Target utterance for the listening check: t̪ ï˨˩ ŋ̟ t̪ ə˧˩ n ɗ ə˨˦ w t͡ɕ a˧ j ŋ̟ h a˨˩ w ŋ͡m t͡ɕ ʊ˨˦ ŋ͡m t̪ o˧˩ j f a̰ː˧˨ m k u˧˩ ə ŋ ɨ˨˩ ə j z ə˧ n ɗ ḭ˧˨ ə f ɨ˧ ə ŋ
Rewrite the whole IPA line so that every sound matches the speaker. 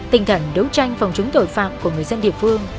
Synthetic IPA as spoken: t̪ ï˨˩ ŋ̟ t̪ʰ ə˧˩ n ɗ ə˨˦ w t͡ɕ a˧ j ŋ̟ f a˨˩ w ŋ͡m t͡ɕ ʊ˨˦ ŋ͡m t̪ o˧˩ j f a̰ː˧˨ m k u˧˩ ə ŋ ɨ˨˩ ə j z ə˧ n ɗ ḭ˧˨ ə f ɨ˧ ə ŋ